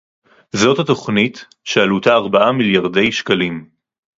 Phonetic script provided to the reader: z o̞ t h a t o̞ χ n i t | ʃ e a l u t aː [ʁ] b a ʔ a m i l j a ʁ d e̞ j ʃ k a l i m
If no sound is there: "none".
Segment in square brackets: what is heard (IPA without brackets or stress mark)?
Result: ʁ